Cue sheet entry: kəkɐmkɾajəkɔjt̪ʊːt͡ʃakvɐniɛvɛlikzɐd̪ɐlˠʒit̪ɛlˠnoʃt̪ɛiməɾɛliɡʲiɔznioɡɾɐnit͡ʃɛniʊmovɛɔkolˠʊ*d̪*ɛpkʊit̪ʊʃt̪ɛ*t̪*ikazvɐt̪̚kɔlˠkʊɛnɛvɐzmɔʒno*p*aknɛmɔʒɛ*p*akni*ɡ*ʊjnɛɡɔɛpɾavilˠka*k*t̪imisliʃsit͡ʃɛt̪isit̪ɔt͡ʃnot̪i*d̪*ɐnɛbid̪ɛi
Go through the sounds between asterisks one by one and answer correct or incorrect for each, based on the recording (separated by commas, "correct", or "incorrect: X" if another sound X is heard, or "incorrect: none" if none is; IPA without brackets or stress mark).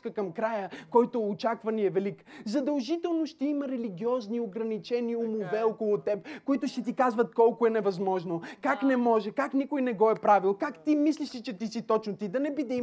incorrect: t̪, correct, incorrect: k, incorrect: k, incorrect: k, correct, correct